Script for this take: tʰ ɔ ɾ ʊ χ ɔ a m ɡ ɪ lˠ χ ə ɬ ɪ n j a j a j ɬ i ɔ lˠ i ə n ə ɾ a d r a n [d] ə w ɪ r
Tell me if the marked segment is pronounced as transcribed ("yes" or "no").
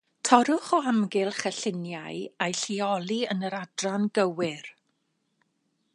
no